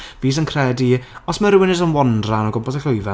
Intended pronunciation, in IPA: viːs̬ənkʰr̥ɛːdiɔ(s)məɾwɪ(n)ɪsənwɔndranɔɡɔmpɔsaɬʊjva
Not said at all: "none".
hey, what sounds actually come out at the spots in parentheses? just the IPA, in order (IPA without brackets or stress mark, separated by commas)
s, n